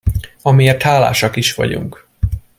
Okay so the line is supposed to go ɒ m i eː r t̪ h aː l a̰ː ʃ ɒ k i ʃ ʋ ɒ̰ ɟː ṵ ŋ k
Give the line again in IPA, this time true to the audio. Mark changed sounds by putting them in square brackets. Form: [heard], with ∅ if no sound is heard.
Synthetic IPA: ɒ m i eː r t̪ h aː l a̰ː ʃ ɒ k i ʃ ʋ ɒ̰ [ɟ] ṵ ŋ k